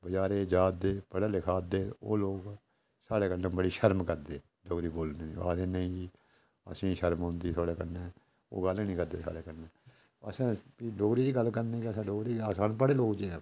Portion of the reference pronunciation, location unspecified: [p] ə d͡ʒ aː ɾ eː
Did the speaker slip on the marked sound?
yes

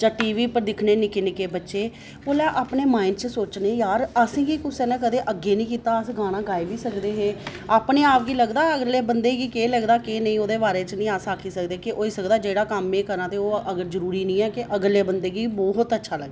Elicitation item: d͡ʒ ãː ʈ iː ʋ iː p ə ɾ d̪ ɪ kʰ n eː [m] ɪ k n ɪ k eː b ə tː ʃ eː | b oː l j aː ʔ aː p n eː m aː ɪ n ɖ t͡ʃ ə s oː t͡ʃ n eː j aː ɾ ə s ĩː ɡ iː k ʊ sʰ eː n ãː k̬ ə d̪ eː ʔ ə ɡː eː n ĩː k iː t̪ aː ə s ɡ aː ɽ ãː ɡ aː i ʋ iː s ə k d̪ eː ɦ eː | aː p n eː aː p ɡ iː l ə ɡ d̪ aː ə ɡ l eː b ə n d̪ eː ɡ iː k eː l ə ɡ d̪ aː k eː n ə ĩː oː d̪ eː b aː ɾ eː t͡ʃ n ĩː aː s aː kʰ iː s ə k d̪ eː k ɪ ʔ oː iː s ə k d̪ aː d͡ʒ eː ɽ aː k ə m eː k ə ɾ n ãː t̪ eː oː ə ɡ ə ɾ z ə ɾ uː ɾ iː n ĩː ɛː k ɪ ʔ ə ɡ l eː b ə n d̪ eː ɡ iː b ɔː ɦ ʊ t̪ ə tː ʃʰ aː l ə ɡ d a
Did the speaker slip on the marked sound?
yes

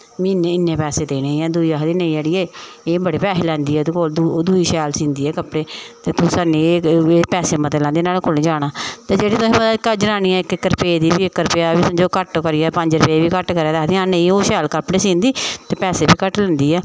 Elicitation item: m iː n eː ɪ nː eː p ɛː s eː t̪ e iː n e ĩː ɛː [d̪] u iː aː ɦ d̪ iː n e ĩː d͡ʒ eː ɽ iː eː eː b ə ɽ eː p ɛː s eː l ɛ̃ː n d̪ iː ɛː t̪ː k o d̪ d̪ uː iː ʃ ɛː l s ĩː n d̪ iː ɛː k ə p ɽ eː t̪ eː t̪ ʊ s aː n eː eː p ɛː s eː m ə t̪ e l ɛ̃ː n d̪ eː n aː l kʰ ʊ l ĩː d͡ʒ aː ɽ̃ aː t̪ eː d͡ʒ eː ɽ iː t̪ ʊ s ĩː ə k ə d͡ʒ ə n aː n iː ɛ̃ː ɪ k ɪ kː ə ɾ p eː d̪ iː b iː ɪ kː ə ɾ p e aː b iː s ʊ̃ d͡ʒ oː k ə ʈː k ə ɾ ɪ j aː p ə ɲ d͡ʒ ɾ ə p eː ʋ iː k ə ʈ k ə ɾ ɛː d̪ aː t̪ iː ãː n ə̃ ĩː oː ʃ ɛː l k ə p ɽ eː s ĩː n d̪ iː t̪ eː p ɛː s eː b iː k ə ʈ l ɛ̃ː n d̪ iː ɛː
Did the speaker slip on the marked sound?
no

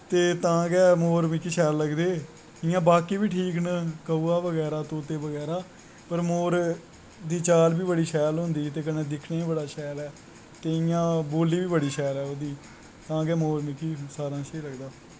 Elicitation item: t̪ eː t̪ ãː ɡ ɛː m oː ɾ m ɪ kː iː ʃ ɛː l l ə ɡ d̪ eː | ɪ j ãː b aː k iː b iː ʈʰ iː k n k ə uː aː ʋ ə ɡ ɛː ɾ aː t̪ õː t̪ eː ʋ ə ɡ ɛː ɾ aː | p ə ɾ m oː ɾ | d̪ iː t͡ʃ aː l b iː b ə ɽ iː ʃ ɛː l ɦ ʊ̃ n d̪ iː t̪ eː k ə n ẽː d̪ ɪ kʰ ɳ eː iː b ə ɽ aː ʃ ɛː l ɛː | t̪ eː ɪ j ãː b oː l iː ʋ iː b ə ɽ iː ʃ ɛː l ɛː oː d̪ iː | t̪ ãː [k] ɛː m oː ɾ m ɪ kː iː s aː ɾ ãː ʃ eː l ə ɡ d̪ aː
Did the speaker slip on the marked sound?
yes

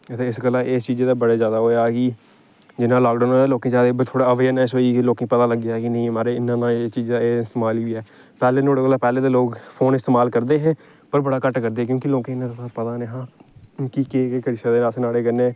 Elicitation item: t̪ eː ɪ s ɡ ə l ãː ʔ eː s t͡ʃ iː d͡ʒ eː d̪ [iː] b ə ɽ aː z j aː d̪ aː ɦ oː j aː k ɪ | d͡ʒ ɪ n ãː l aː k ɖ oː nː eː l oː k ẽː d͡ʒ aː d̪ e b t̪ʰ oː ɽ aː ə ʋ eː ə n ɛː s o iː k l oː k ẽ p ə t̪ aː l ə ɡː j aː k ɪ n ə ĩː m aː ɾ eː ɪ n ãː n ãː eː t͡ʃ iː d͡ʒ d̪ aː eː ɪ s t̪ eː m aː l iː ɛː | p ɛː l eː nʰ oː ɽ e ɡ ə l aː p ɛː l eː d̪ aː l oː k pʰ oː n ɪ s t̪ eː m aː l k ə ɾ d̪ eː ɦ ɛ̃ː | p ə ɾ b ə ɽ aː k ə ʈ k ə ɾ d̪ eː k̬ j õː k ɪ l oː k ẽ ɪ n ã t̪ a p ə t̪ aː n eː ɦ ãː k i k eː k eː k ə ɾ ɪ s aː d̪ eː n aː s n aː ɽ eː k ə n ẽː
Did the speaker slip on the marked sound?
yes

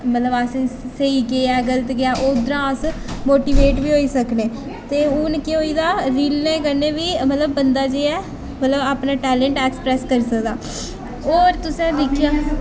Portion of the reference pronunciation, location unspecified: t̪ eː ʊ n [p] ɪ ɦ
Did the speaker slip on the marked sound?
yes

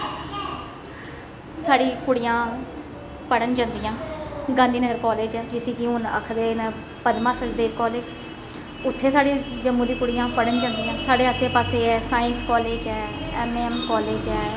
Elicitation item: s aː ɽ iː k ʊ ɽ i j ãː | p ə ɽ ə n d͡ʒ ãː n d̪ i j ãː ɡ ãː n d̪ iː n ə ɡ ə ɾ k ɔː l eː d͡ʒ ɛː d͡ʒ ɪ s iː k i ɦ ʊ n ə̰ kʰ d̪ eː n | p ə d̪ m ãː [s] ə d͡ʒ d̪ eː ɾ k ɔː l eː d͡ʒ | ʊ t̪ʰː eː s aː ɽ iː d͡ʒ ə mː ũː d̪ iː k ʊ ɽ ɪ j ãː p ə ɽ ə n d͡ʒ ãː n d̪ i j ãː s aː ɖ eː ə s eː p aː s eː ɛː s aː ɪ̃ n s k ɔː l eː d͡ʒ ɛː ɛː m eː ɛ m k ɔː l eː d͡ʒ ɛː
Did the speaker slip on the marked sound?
no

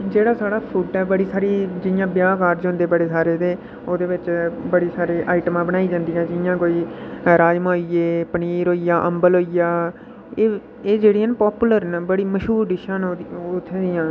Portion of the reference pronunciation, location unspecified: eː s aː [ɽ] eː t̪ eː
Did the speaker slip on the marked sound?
yes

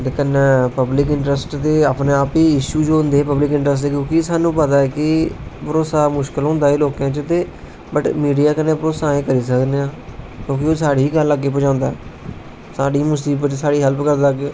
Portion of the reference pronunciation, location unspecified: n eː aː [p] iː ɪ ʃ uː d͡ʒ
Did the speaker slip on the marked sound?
no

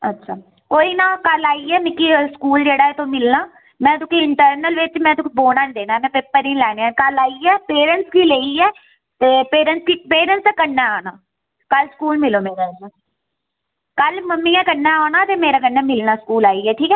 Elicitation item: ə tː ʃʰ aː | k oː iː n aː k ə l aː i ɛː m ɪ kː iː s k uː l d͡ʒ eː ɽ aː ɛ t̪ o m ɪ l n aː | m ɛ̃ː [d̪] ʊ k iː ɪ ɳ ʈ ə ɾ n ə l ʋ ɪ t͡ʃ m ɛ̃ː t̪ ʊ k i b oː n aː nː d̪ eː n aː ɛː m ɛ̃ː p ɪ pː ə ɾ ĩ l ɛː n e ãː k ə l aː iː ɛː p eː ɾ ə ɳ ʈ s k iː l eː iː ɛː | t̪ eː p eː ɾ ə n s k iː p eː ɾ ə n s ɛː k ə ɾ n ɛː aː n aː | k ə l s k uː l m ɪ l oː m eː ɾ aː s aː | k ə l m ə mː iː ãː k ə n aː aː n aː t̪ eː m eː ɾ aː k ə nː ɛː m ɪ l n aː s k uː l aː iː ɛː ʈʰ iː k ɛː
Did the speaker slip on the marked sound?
yes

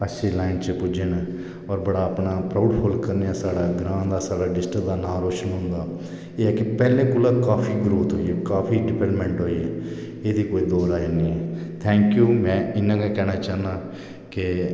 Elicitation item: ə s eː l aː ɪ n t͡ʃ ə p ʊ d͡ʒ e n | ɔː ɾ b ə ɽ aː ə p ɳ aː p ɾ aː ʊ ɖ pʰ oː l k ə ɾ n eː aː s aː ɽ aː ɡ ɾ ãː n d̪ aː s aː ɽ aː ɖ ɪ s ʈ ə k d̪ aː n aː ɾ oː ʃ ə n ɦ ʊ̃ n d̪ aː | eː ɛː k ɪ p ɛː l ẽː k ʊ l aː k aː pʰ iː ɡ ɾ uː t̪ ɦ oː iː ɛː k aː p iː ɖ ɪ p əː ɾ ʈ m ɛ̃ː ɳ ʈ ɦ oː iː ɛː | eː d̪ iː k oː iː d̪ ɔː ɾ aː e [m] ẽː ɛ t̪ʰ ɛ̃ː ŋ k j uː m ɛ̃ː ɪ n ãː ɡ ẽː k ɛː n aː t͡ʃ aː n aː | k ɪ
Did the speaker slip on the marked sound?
yes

